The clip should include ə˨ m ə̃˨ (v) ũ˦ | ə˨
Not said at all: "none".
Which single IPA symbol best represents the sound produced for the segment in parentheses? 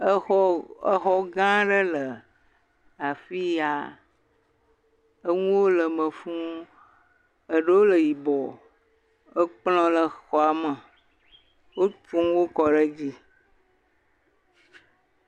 f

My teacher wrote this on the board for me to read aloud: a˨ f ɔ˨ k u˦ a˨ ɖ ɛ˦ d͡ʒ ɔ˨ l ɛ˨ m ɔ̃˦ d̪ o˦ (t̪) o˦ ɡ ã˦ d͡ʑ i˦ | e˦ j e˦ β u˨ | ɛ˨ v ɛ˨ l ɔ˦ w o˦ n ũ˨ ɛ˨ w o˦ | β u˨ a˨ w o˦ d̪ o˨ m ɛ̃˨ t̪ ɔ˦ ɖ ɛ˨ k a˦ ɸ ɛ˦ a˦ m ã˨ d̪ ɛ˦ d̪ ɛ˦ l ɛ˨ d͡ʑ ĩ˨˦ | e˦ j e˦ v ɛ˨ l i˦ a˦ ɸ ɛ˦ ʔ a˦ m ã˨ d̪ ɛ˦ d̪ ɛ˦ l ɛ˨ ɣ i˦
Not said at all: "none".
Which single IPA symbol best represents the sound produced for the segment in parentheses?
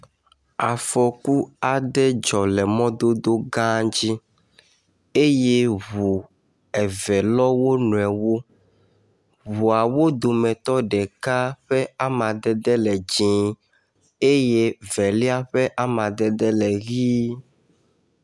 d̪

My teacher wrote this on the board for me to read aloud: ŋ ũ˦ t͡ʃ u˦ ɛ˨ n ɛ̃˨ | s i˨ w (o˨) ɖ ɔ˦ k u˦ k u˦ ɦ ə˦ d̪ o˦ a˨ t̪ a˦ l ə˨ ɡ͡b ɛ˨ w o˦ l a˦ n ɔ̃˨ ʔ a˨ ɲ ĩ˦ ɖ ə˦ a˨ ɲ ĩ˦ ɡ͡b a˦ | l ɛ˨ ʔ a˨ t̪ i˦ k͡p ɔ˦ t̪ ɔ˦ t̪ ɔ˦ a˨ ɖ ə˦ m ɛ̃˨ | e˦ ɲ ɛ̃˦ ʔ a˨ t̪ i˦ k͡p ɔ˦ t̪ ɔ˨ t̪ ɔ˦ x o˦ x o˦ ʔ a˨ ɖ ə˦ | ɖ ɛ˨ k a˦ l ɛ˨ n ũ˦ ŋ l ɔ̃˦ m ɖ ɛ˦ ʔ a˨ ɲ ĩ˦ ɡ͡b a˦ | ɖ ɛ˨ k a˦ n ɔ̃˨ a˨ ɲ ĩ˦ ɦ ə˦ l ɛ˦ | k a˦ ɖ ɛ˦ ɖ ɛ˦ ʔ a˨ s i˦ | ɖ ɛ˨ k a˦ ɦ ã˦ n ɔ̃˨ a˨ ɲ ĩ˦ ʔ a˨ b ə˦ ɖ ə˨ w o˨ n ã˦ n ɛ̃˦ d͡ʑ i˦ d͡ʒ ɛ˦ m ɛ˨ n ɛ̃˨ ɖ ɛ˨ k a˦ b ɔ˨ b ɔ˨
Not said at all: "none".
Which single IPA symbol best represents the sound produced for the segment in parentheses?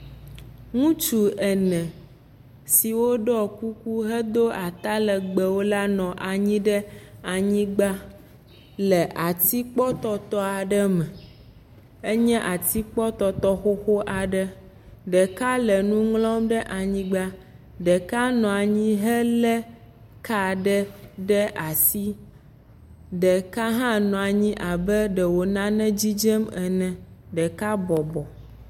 o˦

